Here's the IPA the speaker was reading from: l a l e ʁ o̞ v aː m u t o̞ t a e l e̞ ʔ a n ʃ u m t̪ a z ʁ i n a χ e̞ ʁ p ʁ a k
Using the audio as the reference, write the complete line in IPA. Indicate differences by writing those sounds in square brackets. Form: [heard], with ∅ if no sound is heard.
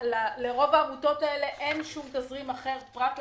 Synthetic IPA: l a l e ʁ o̞ v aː m u t o̞ t a e l e̞ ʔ [e] n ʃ u m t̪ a z ʁ i [m] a χ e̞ ʁ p ʁ a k